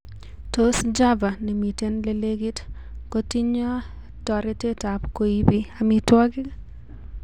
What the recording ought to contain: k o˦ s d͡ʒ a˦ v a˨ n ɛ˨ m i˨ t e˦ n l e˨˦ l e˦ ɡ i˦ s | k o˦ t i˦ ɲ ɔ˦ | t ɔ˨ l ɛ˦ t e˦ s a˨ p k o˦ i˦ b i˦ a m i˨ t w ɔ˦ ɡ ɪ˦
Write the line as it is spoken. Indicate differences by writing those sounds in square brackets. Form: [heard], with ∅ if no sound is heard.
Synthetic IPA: [t] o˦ s d͡ʒ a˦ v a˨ n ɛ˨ m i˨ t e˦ n l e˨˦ l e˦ ɡ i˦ [t] | k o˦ t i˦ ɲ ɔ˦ | t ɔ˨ [ɾ] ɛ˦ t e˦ [t] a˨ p k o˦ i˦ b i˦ a m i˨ t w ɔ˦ ɡ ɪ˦